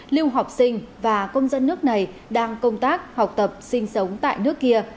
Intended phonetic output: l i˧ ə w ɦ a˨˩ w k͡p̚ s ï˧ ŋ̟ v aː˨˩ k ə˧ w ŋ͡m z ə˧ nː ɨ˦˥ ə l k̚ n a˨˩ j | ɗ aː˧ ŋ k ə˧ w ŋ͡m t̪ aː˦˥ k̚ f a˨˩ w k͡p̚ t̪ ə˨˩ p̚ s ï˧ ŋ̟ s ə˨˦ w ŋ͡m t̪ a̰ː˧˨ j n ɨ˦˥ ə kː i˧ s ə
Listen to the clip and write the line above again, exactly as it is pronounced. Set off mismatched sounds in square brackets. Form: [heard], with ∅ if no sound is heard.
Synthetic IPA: l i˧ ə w ɦ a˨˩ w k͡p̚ s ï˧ ŋ̟ v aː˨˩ k ə˧ w ŋ͡m z ə˧ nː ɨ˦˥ ə [∅] k̚ n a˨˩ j | ɗ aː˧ ŋ k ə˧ w ŋ͡m t̪ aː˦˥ k̚ [h] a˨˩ w k͡p̚ t̪ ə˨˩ p̚ s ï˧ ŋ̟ s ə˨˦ w ŋ͡m t̪ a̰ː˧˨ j n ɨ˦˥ ə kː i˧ [∅] ə